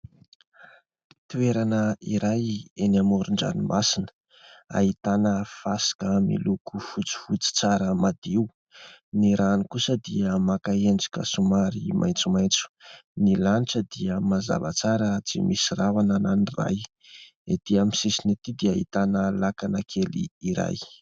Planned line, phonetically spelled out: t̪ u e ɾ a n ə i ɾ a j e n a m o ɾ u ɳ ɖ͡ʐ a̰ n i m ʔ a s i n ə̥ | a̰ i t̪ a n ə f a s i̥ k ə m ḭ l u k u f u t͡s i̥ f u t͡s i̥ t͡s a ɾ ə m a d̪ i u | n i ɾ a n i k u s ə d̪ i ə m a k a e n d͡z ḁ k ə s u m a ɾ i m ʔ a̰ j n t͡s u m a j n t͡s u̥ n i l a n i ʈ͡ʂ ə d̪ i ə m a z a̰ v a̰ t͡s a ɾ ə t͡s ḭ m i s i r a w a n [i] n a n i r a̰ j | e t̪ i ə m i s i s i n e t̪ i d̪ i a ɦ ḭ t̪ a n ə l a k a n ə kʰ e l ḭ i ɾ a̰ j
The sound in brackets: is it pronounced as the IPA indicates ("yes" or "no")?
no